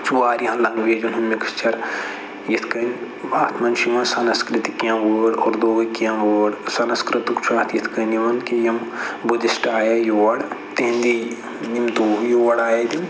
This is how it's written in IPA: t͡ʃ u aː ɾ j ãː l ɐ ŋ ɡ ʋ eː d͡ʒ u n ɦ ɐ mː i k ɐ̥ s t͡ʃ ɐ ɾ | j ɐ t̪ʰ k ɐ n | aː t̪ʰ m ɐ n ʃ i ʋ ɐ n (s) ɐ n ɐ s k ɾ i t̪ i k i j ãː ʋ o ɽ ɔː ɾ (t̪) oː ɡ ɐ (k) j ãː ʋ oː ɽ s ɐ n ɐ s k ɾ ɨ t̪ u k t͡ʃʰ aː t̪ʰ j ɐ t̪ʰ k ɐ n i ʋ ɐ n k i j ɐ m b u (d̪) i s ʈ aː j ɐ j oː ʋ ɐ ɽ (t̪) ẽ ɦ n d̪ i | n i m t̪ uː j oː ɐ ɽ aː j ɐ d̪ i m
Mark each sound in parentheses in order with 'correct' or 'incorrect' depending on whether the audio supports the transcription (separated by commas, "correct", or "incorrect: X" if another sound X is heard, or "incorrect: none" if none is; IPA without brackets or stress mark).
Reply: correct, incorrect: d̪, correct, correct, correct